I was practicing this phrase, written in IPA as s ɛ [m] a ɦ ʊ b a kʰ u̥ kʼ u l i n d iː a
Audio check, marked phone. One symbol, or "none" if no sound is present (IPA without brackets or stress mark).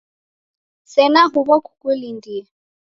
n